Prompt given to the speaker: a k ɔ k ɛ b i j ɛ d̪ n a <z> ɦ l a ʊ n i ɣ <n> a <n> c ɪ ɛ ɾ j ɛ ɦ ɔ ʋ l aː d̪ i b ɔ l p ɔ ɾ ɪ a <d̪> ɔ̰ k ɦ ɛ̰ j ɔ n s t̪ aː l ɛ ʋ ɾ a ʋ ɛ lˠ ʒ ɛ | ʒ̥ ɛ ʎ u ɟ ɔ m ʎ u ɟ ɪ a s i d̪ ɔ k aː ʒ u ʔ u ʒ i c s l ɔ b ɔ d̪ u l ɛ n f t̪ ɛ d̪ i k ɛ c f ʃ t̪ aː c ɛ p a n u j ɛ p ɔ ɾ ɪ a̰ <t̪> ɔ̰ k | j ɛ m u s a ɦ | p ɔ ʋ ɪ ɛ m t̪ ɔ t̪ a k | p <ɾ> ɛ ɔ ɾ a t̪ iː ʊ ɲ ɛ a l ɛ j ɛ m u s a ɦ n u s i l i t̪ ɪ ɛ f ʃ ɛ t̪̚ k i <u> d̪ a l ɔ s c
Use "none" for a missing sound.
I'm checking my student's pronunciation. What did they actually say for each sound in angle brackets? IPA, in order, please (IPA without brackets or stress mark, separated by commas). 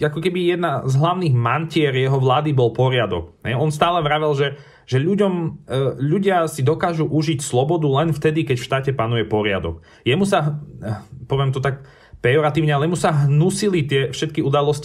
z, m, n, d̪, d̪, ɾ, u